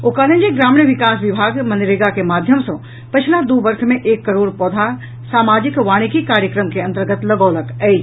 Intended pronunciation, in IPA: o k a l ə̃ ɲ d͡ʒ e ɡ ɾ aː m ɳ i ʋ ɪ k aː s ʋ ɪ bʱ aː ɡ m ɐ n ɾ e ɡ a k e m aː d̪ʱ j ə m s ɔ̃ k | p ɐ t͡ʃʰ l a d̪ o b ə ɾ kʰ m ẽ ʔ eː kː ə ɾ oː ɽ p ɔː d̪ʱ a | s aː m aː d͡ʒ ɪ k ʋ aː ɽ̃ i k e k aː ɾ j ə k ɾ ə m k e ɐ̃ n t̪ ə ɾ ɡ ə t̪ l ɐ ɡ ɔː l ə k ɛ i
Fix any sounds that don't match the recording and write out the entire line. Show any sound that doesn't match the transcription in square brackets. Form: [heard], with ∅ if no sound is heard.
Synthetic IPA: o k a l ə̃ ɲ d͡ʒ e ɡ ɾ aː m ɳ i ʋ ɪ k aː s ʋ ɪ bʱ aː ɡ m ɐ n ɾ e ɡ a k e m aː d̪ʱ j ə m s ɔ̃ [∅] | p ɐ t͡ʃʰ l a d̪ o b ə ɾ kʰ m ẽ ʔ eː kː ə ɾ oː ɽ p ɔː d̪ʱ a | s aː m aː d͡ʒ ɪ k ʋ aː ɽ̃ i k [i] k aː ɾ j ə k ɾ ə m k e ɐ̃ n t̪ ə ɾ ɡ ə t̪ l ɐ ɡ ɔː l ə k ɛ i